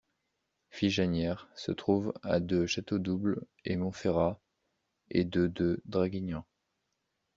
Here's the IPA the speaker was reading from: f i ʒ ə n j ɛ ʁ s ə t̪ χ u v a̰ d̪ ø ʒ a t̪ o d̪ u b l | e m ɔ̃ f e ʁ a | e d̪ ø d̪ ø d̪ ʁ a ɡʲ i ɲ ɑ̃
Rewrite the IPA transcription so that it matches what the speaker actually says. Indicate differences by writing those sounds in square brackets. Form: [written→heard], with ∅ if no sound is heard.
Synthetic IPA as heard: f i ʒ [ə→a] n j ɛ ʁ s ə t̪ χ u v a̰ d̪ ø [ʒ→ʃ] a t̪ o d̪ u b l | e m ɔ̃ f e ʁ a | e d̪ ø d̪ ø d̪ ʁ a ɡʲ i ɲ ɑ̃